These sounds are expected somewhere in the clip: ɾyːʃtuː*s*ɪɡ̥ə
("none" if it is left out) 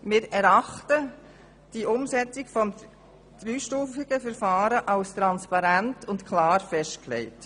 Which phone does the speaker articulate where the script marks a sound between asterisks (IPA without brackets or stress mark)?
f